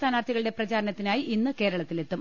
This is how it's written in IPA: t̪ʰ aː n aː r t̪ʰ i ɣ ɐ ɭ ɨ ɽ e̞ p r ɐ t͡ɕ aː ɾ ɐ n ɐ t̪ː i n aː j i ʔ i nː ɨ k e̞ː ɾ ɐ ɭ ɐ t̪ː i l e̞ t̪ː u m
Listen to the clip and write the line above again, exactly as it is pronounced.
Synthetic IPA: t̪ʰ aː n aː r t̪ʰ i ɣ ɐ ɭ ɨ ɽ e̞ p r ɐ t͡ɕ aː ɾ ɐ n ɐ t̪ː i n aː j i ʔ i nː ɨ k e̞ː ɾ ɐ ɭ ɐ t̪ː i l e̞ t̪ː u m